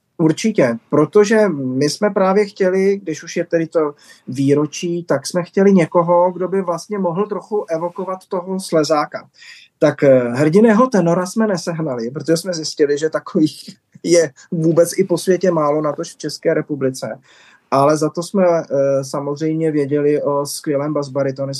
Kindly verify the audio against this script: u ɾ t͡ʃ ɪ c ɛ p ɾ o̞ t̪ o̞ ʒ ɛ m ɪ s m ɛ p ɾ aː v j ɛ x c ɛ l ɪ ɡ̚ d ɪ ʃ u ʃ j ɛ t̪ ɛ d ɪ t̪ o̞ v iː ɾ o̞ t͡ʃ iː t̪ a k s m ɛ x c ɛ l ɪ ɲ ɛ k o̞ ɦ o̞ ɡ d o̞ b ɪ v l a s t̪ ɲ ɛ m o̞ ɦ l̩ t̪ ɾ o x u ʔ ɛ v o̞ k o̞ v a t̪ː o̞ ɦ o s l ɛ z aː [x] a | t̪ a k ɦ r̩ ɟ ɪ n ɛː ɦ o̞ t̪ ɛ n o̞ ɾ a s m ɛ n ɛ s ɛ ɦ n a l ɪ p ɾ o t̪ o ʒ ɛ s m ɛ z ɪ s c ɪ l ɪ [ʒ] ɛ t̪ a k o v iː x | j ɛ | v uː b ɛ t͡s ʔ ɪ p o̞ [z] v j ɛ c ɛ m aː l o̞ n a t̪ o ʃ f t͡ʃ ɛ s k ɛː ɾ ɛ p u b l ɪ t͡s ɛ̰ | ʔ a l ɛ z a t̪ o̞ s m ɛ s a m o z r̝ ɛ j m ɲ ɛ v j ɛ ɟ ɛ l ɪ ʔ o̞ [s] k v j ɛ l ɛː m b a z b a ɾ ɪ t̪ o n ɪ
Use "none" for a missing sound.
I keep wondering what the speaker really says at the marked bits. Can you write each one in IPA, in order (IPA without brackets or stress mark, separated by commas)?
k, ʒ, s, s